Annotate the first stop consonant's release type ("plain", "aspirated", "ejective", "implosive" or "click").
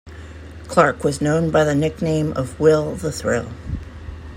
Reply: aspirated